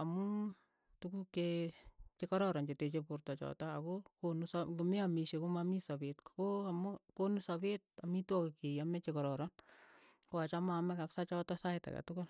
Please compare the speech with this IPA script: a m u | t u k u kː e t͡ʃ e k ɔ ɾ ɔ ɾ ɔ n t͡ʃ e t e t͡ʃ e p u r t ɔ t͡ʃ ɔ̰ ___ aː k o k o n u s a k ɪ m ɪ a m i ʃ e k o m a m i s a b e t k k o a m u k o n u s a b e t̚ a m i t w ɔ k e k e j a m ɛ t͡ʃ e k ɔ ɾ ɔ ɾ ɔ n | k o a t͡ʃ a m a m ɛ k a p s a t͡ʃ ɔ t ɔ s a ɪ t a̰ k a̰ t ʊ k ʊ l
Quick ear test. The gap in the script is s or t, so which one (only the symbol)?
t